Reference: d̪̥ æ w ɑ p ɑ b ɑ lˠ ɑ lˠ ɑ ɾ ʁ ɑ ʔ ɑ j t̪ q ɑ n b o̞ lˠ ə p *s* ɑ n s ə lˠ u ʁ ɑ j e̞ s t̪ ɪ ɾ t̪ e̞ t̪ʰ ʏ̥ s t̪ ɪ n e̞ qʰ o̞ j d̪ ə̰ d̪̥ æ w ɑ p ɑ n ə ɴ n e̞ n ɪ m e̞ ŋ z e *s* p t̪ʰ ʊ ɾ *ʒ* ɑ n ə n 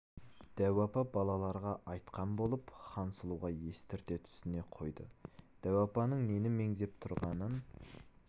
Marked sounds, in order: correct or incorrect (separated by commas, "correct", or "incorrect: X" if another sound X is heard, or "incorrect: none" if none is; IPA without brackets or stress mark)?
incorrect: χ, incorrect: none, incorrect: ʁ